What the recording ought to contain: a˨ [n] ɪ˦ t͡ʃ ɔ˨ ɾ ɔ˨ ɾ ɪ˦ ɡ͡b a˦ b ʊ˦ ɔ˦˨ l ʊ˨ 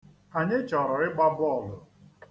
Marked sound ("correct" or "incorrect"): incorrect